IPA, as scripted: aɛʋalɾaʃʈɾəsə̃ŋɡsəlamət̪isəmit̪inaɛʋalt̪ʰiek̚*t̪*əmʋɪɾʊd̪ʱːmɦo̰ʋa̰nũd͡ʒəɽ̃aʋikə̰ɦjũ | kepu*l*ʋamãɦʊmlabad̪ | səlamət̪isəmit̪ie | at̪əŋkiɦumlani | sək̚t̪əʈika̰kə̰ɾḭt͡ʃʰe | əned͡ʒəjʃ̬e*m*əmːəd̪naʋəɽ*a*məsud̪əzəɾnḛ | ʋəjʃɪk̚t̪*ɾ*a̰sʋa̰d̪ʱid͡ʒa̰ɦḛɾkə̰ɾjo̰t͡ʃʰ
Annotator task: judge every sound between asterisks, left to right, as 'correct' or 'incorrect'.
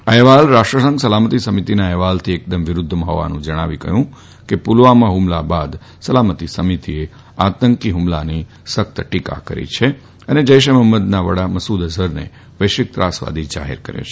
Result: incorrect, correct, correct, correct, correct

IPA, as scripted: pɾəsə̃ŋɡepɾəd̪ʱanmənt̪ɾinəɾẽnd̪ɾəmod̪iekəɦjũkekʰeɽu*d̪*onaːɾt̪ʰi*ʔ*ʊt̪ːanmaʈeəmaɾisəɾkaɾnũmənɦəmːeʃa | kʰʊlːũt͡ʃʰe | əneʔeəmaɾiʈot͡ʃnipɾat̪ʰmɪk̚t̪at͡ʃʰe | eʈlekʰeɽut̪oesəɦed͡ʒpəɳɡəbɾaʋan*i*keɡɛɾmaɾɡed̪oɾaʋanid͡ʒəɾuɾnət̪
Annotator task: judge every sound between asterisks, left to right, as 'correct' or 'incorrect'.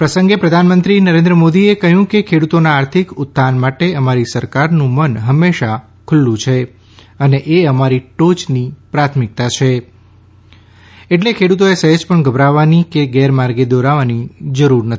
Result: incorrect, incorrect, correct

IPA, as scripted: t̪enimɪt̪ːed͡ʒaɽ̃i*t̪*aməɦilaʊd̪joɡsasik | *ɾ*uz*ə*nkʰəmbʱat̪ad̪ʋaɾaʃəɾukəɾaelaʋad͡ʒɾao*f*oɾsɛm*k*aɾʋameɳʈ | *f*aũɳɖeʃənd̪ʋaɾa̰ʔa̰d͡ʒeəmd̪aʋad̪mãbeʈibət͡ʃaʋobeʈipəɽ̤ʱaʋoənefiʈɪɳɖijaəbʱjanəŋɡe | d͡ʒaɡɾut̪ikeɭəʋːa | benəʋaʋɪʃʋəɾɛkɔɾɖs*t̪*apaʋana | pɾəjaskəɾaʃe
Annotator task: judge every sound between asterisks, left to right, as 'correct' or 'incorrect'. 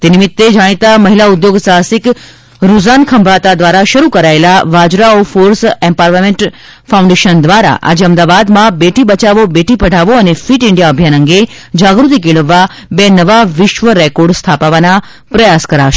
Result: correct, correct, incorrect, correct, incorrect, correct, incorrect

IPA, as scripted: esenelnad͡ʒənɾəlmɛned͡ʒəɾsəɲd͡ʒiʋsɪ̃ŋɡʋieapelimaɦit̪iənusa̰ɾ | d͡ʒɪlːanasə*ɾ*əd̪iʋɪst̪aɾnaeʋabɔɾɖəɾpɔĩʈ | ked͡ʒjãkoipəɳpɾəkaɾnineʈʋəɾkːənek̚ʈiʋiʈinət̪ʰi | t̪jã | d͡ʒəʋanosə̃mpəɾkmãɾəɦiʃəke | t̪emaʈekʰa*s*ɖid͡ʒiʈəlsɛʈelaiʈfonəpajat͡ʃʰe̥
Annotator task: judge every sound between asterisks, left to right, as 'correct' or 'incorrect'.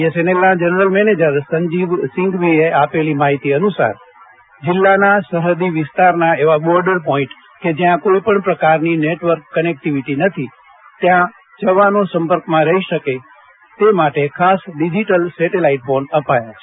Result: correct, correct

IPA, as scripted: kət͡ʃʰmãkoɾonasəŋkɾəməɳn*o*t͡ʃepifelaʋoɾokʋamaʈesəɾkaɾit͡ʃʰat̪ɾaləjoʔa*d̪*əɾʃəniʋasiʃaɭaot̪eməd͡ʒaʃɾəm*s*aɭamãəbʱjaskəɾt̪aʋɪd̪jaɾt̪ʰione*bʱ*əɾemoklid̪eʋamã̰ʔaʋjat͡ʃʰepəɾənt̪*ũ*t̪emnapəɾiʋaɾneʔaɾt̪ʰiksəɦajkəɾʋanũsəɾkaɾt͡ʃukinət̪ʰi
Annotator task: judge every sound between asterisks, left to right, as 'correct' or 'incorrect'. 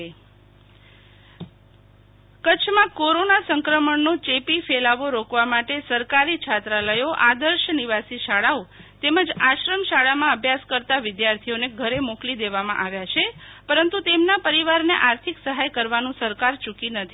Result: correct, correct, incorrect, incorrect, incorrect

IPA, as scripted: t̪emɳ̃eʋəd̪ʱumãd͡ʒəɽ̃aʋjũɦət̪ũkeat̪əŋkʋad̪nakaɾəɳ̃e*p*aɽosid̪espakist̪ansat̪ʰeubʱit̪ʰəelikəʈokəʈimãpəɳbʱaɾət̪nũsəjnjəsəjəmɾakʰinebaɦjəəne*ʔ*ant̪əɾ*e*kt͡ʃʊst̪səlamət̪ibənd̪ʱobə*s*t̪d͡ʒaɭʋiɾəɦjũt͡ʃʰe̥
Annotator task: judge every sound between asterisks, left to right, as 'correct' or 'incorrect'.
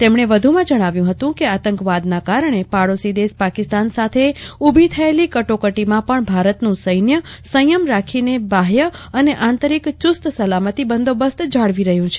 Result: correct, correct, incorrect, correct

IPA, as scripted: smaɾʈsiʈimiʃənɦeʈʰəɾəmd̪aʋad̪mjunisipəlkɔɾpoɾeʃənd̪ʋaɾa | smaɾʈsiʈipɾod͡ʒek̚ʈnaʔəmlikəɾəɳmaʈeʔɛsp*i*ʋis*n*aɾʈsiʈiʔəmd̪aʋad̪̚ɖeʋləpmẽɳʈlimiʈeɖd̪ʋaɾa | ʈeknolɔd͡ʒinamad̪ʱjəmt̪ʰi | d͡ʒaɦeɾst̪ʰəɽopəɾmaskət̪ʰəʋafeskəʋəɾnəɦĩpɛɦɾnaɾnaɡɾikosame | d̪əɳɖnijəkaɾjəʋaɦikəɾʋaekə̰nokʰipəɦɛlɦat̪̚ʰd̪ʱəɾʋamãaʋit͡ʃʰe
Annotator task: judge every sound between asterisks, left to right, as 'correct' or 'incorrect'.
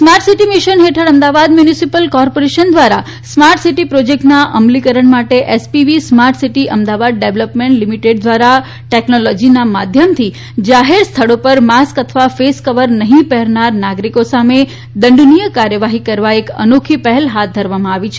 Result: correct, incorrect

